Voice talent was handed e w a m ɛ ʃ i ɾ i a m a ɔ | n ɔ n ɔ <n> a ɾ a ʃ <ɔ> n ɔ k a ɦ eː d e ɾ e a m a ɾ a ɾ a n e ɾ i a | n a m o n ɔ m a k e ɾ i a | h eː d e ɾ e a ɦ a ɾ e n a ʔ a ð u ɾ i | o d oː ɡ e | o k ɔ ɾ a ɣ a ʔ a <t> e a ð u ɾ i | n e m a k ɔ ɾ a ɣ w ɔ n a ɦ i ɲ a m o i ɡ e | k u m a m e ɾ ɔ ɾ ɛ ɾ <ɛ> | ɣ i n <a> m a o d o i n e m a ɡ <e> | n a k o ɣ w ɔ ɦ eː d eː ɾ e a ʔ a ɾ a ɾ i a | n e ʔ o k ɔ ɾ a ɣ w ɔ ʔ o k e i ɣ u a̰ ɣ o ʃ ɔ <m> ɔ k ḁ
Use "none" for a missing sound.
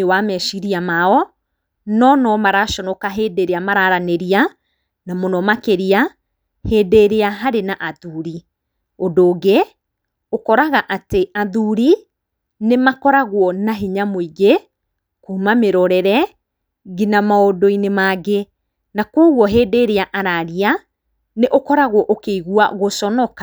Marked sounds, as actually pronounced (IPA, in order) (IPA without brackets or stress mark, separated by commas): m, ɔ, t, ɛ, a, e, n